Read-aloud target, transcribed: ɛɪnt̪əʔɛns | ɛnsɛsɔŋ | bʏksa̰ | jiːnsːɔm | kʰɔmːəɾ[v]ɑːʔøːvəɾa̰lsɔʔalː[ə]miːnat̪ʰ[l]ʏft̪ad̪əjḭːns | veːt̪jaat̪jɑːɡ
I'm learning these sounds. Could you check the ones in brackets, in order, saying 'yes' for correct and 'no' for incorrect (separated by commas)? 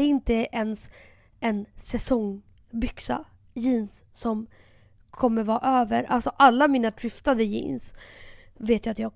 yes, no, no